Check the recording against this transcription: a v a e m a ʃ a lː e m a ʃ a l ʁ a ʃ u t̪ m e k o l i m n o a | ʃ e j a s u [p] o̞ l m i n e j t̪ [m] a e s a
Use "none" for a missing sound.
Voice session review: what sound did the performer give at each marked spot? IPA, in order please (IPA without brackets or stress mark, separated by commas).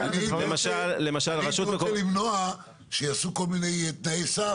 k, n